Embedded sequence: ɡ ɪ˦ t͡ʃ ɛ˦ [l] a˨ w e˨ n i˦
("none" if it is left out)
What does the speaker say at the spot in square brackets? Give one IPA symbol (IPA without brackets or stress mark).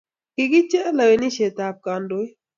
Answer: l